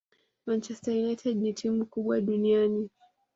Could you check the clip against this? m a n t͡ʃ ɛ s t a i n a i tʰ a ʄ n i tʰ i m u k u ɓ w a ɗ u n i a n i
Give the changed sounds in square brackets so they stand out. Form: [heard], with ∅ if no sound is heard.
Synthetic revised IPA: m a n t͡ʃ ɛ s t a i n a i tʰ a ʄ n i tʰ i m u k u ɓ w a ɗ u n i a n i